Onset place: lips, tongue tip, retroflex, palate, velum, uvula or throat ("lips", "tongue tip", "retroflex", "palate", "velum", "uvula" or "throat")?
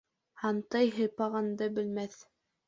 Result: throat